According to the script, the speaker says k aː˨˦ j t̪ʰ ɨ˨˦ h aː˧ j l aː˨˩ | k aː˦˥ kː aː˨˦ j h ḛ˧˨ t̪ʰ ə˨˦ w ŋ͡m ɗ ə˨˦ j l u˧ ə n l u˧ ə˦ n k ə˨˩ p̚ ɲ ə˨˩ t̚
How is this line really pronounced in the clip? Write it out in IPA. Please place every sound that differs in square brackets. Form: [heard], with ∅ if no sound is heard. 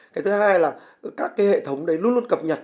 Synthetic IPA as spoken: k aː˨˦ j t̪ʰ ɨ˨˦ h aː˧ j l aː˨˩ | k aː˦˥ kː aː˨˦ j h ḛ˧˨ t̪ʰ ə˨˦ w ŋ͡m ɗ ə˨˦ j l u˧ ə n l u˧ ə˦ n k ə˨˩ p̚ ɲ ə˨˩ t̚